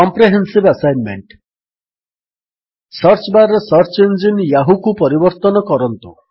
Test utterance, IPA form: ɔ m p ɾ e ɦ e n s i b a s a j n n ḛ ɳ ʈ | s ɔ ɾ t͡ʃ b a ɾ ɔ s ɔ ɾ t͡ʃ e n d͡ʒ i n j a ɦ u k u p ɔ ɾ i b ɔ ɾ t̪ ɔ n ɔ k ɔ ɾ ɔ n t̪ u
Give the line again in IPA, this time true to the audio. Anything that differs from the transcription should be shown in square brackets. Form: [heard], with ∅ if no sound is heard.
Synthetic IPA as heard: ɔ m p ɾ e ɦ e n s i b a s a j n [m] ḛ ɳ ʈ | s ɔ ɾ t͡ʃ b a ɾ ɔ s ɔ ɾ t͡ʃ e n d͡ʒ i n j a ɦ u k u p ɔ ɾ i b ɔ ɾ t̪ ɔ n ɔ k ɔ ɾ ɔ n t̪ u